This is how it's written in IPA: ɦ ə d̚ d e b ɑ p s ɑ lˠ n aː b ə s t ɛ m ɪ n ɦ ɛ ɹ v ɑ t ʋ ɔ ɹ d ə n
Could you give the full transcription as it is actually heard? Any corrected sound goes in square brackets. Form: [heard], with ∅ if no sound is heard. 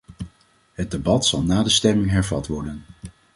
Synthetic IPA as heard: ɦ ə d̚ d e b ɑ [t] s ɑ lˠ n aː [d] ə s t ɛ m ɪ [ŋ] ɦ ɛ ɹ v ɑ t ʋ ɔ ɹ d ə n